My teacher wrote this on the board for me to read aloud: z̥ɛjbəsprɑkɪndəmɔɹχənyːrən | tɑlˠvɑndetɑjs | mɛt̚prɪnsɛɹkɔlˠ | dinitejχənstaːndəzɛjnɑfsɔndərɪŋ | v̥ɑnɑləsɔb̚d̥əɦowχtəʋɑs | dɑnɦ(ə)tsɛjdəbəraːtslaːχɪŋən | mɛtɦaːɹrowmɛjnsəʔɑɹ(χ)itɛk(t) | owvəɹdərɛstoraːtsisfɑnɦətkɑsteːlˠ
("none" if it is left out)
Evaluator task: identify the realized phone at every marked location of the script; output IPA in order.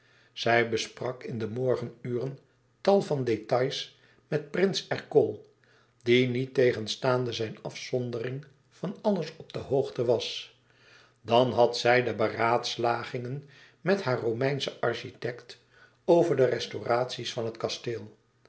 ɑ, ʃ, t

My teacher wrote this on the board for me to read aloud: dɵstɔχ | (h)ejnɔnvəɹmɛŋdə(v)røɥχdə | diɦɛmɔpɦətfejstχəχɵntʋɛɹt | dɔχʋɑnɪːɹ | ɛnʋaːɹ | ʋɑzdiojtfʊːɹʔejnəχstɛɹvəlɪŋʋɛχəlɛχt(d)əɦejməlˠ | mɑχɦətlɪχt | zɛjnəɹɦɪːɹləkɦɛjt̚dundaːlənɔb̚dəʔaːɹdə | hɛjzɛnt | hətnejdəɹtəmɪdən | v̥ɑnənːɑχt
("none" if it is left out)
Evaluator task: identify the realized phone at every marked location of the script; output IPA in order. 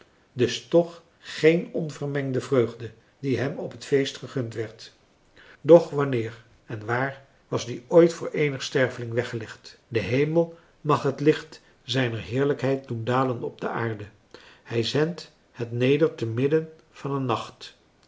χ, v, d

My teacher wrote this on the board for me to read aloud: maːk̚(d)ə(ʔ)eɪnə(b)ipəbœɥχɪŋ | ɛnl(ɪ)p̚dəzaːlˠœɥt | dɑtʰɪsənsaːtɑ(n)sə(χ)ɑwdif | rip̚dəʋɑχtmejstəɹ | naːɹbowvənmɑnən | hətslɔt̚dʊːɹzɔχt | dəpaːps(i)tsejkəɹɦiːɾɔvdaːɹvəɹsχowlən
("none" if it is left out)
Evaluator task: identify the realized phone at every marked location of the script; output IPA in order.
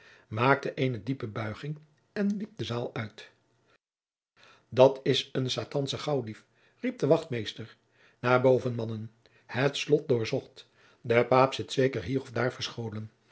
t, ʔ, d, i, n, χ, ɪ

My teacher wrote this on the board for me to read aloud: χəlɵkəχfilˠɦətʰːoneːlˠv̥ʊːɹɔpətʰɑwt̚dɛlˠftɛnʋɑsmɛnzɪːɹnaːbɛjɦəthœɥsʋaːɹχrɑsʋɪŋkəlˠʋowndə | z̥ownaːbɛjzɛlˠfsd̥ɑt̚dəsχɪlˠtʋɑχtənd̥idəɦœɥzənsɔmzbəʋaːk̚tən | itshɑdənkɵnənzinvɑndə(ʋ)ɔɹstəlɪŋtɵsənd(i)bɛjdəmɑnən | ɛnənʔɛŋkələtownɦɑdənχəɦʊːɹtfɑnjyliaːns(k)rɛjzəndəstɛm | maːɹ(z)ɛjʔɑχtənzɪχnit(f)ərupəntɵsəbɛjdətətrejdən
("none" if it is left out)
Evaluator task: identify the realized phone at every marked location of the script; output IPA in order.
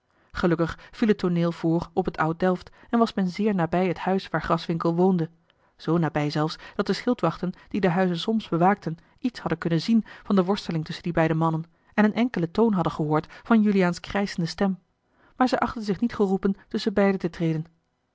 ʋ, i, k, z, χ

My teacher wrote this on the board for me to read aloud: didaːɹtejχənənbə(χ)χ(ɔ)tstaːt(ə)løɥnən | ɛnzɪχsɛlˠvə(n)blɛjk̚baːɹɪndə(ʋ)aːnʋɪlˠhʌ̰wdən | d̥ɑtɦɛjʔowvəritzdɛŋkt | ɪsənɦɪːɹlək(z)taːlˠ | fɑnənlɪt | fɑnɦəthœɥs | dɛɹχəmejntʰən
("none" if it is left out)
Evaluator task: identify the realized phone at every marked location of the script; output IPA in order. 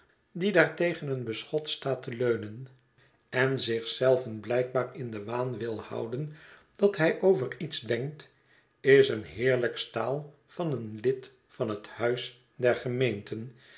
s, ɔ, ə, n, ʋ, s

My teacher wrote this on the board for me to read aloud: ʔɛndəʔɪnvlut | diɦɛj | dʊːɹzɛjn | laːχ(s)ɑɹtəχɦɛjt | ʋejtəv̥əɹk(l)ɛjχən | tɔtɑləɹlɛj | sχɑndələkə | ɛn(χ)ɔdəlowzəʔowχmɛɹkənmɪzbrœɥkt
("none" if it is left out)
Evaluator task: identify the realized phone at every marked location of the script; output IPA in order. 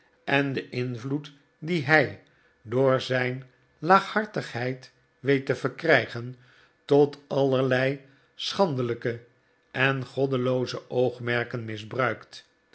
h, r, χ

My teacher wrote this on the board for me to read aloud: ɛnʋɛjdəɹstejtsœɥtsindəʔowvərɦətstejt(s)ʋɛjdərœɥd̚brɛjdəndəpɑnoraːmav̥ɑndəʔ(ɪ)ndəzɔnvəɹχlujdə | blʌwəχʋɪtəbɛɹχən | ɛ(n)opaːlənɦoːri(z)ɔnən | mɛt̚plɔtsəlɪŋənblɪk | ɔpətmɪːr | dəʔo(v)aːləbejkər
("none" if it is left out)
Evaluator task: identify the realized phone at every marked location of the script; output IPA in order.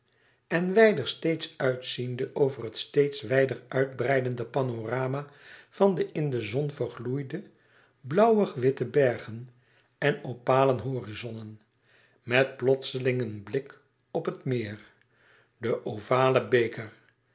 s, ɪ, n, z, v

